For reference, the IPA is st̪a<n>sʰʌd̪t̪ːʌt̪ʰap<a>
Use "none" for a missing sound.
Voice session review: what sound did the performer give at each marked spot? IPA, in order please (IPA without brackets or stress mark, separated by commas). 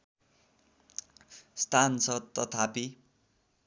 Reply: n, i